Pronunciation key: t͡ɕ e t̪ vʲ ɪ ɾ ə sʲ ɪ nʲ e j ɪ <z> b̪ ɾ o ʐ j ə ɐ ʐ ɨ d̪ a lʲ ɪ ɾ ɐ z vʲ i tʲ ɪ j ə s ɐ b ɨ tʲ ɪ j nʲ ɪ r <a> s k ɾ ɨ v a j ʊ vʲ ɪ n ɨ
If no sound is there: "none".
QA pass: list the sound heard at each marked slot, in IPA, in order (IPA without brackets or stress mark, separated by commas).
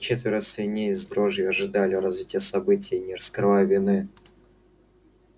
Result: z, ə